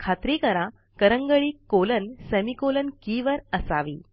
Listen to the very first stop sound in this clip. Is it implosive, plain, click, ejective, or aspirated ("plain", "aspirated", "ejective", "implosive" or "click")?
aspirated